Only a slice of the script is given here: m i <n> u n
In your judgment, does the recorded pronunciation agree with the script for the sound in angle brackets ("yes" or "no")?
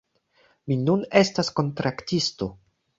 yes